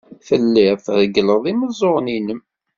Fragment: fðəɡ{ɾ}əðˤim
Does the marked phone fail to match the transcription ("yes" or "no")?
yes